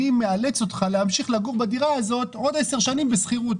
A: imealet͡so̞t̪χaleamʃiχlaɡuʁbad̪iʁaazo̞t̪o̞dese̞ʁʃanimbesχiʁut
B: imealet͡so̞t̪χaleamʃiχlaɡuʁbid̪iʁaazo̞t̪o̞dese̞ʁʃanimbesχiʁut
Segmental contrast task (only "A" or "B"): A